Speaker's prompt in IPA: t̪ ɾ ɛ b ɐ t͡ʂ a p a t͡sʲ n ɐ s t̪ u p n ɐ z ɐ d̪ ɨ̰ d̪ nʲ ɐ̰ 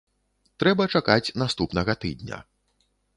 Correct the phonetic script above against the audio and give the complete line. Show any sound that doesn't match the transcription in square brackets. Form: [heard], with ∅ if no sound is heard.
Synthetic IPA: t̪ ɾ ɛ b ɐ t͡ʂ a [k] a t͡sʲ n [a] s t̪ u p n ɐ [ɣ] ɐ [t̪] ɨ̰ d̪ nʲ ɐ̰

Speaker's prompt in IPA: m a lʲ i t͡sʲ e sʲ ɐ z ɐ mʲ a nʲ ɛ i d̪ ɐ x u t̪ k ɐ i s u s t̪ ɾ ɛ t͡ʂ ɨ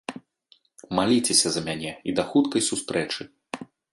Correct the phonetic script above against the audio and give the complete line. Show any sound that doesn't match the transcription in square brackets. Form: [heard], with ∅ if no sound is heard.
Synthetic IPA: m a lʲ i t͡sʲ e sʲ ɐ z ɐ mʲ a nʲ ɛ i d̪ ɐ x u t̪ k ɐ [j] s u s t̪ ɾ ɛ t͡ʂ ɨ

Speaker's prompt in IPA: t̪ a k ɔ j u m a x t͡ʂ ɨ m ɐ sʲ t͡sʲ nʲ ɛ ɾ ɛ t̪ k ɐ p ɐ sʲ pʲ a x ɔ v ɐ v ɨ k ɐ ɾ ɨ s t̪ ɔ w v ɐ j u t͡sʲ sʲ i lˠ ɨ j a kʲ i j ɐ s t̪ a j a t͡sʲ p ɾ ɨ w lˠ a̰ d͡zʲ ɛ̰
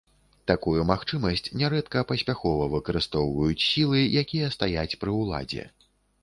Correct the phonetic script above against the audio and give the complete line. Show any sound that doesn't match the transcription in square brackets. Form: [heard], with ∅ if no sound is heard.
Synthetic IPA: t̪ a k [u] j u m a x t͡ʂ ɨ m ɐ sʲ t͡sʲ nʲ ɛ ɾ ɛ t̪ k ɐ p ɐ sʲ pʲ a x ɔ v ɐ v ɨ k ɐ ɾ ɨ s t̪ ɔ w v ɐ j u t͡sʲ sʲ i lˠ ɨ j a kʲ i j ɐ s t̪ a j a t͡sʲ p ɾ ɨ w lˠ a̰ d͡zʲ ɛ̰

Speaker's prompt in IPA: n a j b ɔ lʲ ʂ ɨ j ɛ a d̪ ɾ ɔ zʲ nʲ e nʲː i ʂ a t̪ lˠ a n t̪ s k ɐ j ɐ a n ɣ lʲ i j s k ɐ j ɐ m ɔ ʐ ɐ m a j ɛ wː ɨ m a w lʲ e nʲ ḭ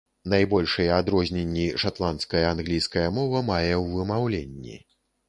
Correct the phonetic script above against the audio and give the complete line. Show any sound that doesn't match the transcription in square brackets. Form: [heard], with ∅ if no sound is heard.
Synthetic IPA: n a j b ɔ lʲ ʂ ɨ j ɛ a d̪ ɾ ɔ zʲ nʲ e nʲː i ʂ a t̪ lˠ a n t̪ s k ɐ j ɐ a n ɣ lʲ i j s k ɐ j ɐ m ɔ [v] ɐ m a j ɛ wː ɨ m a w lʲ e [nʲː] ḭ

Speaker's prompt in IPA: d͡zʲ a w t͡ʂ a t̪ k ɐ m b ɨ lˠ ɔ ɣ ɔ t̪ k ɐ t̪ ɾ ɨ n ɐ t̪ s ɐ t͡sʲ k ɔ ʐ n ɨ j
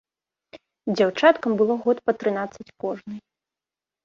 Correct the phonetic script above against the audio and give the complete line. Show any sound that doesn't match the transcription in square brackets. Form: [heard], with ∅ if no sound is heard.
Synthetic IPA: d͡zʲ a w t͡ʂ a t̪ k ɐ m b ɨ lˠ ɔ ɣ ɔ t̪ [p] ɐ t̪ ɾ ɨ n [a] t̪ s ɐ t͡sʲ k ɔ ʐ n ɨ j

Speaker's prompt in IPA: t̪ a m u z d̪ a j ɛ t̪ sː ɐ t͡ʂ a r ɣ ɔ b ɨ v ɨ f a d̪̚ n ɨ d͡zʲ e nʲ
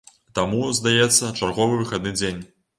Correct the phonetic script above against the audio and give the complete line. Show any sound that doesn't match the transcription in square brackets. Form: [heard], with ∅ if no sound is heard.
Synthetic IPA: t̪ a m u z d̪ a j ɛ t̪ sː ɐ t͡ʂ a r ɣ ɔ [v] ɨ v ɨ [x] a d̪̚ n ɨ d͡zʲ e nʲ

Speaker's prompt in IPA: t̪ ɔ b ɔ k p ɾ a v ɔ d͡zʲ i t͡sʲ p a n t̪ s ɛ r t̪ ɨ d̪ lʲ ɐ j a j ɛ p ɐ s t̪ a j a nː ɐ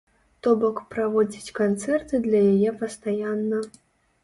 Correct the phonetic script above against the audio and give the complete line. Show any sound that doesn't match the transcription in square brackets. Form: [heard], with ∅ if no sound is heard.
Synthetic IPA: t̪ ɔ b ɔ k p ɾ a v ɔ d͡zʲ i t͡sʲ [k] a n t̪ s ɛ r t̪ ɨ d̪ lʲ ɐ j a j ɛ p ɐ s t̪ a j a nː ɐ

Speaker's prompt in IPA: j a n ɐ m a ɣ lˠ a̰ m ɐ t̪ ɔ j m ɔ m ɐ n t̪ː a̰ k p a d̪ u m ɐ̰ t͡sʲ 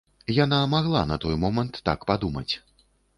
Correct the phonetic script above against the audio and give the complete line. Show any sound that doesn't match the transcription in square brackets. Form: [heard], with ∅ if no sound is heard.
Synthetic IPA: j a n [a] m a ɣ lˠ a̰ [n] ɐ t̪ ɔ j m ɔ m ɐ n t̪ː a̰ k p a d̪ u m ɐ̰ t͡sʲ

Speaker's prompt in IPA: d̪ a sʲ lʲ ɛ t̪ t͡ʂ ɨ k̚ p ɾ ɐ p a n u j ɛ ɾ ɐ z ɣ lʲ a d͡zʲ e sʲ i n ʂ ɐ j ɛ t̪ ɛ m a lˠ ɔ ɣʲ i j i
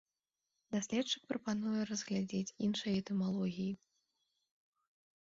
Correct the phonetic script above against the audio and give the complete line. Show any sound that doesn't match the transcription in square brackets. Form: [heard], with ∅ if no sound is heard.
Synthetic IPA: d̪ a sʲ lʲ ɛ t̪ t͡ʂ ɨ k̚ p ɾ ɐ p a n u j ɛ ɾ ɐ z ɣ lʲ a d͡zʲ e [t͡sʲ] i n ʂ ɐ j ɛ t̪ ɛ m a lˠ ɔ ɣʲ i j i

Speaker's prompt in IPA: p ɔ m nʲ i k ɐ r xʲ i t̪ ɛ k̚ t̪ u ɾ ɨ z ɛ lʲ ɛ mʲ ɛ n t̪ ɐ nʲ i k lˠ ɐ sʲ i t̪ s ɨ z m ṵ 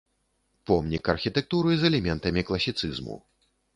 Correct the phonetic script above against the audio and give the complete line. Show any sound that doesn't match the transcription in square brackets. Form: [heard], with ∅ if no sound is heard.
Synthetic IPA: p ɔ m nʲ i k ɐ r xʲ i t̪ ɛ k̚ t̪ u ɾ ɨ z ɛ lʲ ɛ mʲ ɛ n t̪ ɐ [mʲ] i k lˠ ɐ sʲ i t̪ s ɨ z m ṵ

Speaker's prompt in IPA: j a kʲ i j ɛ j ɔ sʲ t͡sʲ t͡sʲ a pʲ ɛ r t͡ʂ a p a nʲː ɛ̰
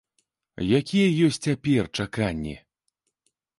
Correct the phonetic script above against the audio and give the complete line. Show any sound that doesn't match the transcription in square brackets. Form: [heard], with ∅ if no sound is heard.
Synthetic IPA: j a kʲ i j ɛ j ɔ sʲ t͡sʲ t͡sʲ a pʲ ɛ r t͡ʂ a [k] a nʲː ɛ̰

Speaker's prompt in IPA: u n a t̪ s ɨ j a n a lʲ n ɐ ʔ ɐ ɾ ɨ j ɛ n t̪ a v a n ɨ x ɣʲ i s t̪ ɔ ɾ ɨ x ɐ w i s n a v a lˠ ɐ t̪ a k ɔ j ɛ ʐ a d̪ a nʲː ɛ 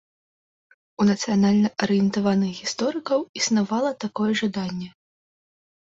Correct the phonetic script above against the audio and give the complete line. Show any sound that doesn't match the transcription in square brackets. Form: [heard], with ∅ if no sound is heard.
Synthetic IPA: u n [ɐ] t̪ s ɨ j a n a lʲ n ɐ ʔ ɐ ɾ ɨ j ɛ n t̪ a v a n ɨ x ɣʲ i s t̪ ɔ ɾ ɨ [k] ɐ w i s n a v a lˠ ɐ t̪ a k ɔ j ɛ ʐ a d̪ a nʲː ɛ

